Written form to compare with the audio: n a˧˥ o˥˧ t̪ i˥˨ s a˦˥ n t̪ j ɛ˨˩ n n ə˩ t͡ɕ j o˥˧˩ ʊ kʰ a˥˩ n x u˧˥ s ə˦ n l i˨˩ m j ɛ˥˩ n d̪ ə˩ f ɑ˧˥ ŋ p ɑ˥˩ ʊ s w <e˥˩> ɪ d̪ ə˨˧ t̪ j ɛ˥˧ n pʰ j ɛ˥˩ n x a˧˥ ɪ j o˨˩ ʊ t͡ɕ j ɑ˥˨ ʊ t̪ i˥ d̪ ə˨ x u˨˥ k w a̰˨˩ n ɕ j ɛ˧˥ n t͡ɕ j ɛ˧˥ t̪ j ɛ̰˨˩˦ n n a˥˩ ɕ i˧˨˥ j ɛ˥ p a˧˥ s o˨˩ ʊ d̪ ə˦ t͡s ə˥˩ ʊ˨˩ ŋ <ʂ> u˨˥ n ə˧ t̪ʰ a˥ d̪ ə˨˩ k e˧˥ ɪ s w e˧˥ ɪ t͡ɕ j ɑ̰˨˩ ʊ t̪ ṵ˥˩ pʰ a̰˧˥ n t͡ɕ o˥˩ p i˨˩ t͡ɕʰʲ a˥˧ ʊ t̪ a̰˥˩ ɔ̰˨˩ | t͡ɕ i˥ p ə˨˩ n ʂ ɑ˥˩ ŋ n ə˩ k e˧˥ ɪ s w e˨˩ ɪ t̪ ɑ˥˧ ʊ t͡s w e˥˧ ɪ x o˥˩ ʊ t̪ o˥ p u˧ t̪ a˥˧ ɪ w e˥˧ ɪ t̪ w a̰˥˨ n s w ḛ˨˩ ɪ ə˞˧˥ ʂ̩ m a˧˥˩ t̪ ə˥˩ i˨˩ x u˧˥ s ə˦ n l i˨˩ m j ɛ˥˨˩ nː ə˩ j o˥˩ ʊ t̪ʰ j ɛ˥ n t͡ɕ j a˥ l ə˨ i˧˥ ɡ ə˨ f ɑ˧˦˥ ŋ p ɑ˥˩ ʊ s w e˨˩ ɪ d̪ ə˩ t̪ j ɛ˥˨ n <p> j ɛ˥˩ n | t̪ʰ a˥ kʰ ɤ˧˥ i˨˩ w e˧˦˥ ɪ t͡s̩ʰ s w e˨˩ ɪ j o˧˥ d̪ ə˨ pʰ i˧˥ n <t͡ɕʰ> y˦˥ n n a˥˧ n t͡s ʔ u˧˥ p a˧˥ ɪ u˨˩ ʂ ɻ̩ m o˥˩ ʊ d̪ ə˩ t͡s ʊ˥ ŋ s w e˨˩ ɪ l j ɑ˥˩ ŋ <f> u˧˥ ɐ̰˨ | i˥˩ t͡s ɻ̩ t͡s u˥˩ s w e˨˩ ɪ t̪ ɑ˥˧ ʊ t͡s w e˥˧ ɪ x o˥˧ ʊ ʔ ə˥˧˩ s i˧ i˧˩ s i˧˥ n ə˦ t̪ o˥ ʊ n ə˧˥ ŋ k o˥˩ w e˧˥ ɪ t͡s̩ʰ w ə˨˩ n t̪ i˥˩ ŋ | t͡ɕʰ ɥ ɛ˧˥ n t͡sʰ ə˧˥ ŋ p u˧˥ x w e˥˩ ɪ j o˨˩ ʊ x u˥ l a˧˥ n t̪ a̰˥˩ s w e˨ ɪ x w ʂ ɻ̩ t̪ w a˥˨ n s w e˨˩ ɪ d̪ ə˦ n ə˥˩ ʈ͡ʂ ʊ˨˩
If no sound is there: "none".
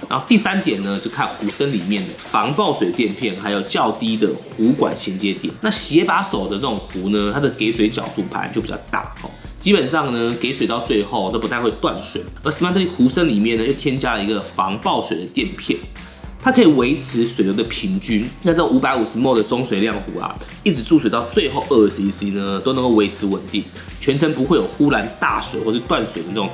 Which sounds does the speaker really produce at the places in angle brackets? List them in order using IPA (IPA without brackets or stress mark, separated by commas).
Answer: e˨˩, x, pʰ, t͡ɕ, x